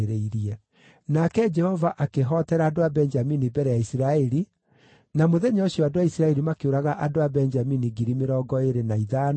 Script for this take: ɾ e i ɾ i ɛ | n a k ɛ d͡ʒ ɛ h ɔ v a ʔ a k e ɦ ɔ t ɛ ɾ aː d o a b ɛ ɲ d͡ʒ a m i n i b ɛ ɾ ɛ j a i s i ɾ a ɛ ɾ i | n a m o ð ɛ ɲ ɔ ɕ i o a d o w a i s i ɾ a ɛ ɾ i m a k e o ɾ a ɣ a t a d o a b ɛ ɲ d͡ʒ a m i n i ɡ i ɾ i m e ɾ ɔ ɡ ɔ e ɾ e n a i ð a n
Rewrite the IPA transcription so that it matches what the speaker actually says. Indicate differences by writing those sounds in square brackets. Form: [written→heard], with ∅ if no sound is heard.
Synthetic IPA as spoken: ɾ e i ɾ i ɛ | n a k ɛ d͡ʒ ɛ h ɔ v a ʔ a k e ɦ ɔ t ɛ ɾ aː d o a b ɛ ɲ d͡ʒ a m i n i b ɛ ɾ ɛ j a i s i ɾ a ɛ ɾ i | n a m o ð ɛ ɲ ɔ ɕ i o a d o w a i s i ɾ a ɛ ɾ i m a k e o ɾ a ɣ a [t→ʔ] a d o a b ɛ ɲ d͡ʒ a m i n i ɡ i ɾ i m e ɾ ɔ ɡ ɔ e ɾ e n a i ð a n